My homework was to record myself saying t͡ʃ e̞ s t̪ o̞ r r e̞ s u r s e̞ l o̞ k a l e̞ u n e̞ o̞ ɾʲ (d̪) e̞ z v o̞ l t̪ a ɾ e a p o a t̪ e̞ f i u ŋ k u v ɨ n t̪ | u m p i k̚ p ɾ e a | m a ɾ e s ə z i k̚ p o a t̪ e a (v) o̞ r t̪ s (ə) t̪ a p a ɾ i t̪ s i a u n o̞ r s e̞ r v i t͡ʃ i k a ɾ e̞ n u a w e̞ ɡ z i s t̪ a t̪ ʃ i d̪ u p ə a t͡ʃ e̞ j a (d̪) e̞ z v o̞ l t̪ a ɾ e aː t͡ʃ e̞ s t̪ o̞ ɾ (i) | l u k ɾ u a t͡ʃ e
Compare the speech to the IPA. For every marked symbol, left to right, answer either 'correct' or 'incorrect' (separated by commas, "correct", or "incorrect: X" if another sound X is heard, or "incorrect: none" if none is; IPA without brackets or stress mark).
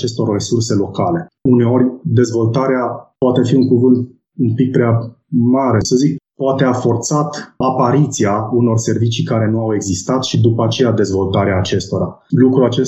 correct, incorrect: f, incorrect: a, correct, incorrect: a